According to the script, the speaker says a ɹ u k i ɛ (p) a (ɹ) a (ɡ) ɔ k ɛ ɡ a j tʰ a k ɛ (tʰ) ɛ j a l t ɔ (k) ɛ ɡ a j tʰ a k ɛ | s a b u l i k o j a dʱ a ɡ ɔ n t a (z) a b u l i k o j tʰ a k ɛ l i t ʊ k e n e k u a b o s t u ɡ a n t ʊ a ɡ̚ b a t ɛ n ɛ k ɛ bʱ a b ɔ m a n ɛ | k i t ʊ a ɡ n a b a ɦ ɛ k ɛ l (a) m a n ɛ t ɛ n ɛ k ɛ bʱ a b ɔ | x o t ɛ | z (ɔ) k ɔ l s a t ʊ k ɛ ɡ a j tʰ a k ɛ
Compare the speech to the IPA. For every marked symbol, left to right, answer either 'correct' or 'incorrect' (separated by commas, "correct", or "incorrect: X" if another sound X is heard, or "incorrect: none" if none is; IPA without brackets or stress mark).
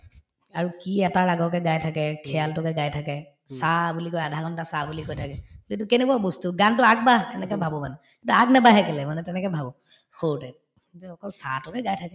incorrect: t, correct, correct, incorrect: kʰ, correct, incorrect: s, incorrect: ɛ, correct